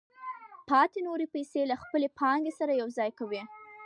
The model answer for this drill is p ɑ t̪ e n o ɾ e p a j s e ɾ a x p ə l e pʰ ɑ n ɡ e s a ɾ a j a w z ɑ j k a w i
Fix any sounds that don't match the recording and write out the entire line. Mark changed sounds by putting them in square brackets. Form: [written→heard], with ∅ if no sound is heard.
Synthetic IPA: p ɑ t̪ e n o ɾ e p a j s e [ɾ→l] a x p ə l e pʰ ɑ [n→ŋ] ɡ e s a ɾ a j a w z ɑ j k a w i